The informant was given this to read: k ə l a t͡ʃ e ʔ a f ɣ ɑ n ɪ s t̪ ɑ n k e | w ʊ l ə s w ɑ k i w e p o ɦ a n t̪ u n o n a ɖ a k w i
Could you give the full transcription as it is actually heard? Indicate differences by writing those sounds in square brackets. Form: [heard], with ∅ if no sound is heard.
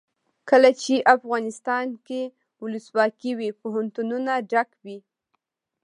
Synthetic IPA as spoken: k ə l a t͡ʃ e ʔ a f ɣ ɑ n ɪ s t̪ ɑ n k e | w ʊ l ə s w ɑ k i w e p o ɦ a n t̪ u n [u] n a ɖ a k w i